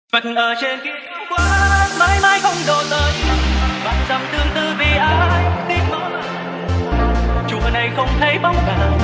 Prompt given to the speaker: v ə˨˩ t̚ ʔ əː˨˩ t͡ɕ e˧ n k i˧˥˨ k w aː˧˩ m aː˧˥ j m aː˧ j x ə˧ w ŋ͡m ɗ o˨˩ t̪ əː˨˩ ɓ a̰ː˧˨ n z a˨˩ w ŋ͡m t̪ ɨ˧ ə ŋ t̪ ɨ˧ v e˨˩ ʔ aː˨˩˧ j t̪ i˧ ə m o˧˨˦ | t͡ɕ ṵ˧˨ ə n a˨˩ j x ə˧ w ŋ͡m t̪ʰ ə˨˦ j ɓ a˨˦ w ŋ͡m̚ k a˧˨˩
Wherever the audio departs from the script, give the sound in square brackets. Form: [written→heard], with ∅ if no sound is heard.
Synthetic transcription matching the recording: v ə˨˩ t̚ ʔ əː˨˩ t͡ɕ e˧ n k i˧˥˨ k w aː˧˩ m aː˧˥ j m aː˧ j x ə˧ w ŋ͡m ɗ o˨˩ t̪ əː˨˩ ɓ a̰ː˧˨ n z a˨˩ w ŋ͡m t̪ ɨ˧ ə ŋ t̪ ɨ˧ v [e˨˩→i˨˩] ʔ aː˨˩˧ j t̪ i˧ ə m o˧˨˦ | t͡ɕ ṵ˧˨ ə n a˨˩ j x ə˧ w ŋ͡m t̪ʰ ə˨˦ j ɓ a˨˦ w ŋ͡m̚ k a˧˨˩

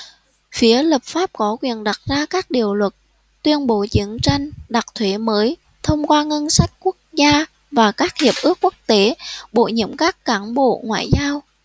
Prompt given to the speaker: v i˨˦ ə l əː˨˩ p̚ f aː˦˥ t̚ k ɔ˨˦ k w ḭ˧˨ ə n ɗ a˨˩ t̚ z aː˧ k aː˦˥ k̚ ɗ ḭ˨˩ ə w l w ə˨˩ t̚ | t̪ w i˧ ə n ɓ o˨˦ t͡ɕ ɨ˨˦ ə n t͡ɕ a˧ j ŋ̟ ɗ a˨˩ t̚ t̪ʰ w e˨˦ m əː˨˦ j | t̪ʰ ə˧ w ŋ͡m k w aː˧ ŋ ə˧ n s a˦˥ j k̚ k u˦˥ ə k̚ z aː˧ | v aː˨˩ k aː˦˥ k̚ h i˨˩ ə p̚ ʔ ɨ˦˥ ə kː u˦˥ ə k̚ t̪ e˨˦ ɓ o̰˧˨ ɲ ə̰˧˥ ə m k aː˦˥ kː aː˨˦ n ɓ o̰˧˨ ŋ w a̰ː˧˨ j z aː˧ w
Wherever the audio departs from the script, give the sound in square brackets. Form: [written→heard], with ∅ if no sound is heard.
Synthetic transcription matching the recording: [v→f] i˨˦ ə l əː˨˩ p̚ f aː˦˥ [t̚→p̚] k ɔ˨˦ k w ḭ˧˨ ə n ɗ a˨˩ t̚ z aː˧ k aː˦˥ k̚ ɗ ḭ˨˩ ə w l w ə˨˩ t̚ | t̪ w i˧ ə n ɓ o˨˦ t͡ɕ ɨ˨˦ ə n t͡ɕ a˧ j ŋ̟ ɗ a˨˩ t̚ t̪ʰ w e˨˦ m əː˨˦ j | t̪ʰ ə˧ w ŋ͡m k w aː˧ ŋ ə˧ n s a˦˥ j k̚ k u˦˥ ə k̚ z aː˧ | v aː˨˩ k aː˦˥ k̚ h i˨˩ ə p̚ ʔ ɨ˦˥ ə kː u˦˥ ə k̚ t̪ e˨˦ ɓ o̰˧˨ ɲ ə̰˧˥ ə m k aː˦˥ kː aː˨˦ n ɓ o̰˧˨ ŋ w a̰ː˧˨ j z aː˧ w

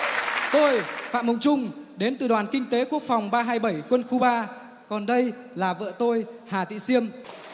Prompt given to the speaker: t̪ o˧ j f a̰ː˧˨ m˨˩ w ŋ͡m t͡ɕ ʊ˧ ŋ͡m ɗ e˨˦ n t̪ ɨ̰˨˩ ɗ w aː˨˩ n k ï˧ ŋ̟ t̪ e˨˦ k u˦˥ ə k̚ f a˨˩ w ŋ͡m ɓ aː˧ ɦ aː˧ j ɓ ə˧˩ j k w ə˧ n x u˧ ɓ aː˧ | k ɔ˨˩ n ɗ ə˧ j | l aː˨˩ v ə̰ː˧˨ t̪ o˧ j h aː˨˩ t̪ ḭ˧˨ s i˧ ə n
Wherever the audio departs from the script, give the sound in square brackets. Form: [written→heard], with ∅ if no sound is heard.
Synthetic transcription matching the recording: t̪ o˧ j f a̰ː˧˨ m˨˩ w ŋ͡m t͡ɕ ʊ˧ ŋ͡m ɗ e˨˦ n t̪ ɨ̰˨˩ ɗ w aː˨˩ n k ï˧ ŋ̟ t̪ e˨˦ k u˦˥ ə k̚ f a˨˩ w ŋ͡m ɓ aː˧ ɦ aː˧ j ɓ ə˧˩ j k w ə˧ n x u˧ ɓ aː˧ | k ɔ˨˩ n ɗ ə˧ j | l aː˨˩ v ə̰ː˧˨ t̪ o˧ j h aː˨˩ t̪ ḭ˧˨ s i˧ ə [n→m]

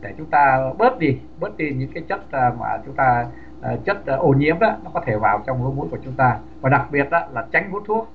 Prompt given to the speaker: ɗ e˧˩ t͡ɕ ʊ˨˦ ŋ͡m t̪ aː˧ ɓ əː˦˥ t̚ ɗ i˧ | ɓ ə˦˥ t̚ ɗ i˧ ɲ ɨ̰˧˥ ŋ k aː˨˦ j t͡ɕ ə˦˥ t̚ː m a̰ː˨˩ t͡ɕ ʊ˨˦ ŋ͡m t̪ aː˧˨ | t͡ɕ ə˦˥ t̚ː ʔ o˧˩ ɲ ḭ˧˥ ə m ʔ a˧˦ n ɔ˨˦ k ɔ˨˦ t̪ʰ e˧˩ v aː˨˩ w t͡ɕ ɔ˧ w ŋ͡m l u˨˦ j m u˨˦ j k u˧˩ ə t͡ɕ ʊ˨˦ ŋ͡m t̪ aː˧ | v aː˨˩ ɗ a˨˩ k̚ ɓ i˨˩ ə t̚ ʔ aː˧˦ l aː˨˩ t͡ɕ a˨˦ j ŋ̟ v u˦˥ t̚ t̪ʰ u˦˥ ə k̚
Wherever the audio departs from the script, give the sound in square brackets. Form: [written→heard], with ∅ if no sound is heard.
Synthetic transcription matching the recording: ɗ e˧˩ t͡ɕ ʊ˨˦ ŋ͡m t̪ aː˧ ɓ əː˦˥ t̚ ɗ i˧ | ɓ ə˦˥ t̚ ɗ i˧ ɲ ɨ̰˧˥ ŋ k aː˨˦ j t͡ɕ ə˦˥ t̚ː m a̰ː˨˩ t͡ɕ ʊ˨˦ ŋ͡m t̪ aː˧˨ | t͡ɕ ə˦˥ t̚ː ʔ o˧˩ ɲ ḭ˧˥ ə m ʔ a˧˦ n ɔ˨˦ k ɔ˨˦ t̪ʰ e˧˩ v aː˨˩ w t͡ɕ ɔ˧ w ŋ͡m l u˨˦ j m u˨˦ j k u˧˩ ə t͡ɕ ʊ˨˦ ŋ͡m t̪ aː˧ | v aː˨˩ ɗ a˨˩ k̚ ɓ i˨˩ ə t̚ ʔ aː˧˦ l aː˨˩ t͡ɕ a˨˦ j ŋ̟ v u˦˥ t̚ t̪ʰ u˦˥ ə k̚

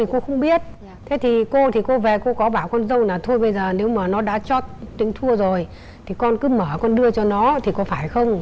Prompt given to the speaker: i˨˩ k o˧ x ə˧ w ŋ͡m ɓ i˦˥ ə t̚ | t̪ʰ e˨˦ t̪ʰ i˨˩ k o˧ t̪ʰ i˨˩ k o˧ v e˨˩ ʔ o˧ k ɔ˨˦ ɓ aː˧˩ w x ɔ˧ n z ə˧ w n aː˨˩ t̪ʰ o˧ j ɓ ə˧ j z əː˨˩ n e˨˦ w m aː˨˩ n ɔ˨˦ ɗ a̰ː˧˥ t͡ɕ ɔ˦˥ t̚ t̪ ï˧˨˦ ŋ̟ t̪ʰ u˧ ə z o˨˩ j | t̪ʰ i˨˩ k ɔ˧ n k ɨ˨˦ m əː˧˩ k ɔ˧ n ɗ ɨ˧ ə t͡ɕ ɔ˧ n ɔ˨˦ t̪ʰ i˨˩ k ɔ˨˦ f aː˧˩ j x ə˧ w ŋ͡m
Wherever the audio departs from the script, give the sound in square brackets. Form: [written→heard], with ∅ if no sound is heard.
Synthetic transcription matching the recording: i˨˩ k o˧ x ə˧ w ŋ͡m ɓ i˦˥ ə t̚ | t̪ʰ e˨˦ t̪ʰ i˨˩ k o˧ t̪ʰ i˨˩ k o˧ v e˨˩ [ʔ→k] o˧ k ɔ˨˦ ɓ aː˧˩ w [x→k] ɔ˧ n z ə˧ w n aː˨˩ t̪ʰ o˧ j ɓ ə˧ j z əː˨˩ n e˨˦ w m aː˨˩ n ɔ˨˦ ɗ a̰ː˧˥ t͡ɕ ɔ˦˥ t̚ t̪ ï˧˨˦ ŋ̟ t̪ʰ u˧ ə z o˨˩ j | t̪ʰ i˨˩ k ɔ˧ n k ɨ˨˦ m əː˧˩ k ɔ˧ n ɗ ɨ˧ ə t͡ɕ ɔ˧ n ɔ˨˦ t̪ʰ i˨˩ k ɔ˨˦ f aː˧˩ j x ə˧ w ŋ͡m

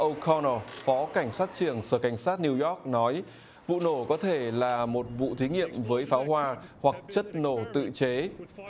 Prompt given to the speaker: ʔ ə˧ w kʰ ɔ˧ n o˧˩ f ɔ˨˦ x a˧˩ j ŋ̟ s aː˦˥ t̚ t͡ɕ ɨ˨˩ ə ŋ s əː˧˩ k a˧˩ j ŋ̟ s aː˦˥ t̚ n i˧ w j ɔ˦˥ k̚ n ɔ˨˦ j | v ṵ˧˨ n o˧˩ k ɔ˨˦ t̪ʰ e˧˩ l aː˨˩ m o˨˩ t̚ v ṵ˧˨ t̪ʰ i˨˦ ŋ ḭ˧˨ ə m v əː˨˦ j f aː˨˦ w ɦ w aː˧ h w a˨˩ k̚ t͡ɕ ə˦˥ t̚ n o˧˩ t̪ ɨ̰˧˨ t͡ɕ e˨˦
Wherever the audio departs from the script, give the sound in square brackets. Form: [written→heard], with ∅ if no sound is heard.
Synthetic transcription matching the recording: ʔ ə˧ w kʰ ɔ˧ n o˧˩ f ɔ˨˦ [x→k] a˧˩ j ŋ̟ s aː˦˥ t̚ t͡ɕ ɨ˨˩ ə ŋ s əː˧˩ k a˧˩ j ŋ̟ s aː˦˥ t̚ n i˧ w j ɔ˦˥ k̚ n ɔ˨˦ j | v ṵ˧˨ n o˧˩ k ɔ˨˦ t̪ʰ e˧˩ l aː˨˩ m o˨˩ t̚ v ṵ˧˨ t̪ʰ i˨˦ ŋ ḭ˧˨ ə m v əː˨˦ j f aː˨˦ w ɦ w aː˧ h w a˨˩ k̚ t͡ɕ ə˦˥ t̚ n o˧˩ t̪ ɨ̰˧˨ t͡ɕ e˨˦

